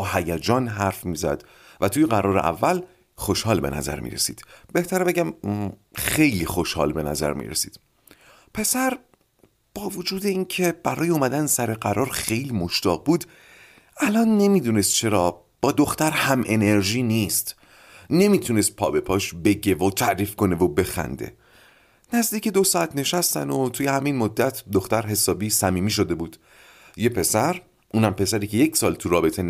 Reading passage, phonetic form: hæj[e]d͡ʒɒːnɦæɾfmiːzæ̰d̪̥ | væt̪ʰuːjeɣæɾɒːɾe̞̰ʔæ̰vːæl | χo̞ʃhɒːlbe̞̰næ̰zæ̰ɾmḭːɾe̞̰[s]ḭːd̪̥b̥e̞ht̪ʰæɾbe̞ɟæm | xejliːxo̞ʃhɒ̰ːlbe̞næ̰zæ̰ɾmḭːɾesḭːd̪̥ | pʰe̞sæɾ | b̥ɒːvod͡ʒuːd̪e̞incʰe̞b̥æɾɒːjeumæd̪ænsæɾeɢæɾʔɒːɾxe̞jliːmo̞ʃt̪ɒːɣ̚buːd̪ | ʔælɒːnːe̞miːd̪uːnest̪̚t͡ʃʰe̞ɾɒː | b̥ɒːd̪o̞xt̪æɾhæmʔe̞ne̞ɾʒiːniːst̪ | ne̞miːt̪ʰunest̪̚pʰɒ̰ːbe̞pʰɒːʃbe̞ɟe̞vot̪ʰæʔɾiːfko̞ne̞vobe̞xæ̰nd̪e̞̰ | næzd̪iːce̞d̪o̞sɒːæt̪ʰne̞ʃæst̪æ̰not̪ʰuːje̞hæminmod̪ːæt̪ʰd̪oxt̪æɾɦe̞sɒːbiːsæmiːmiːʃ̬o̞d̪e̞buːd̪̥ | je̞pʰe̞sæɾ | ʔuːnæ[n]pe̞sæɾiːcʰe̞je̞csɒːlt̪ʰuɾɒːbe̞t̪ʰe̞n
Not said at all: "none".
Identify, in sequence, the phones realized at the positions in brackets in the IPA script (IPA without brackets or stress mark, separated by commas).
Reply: æ, s, m